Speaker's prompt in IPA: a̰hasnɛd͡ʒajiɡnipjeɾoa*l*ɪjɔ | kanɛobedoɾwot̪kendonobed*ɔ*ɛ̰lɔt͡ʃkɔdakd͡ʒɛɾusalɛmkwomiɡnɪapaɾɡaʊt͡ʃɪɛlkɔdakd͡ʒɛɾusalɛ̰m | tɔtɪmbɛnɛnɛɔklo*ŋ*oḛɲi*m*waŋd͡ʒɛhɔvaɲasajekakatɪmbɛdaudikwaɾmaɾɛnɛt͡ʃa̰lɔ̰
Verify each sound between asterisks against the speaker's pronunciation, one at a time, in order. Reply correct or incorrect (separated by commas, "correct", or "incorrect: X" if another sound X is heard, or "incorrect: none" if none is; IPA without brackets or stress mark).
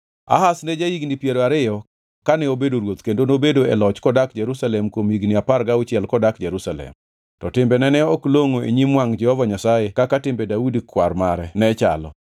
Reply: incorrect: ɾ, incorrect: o, correct, correct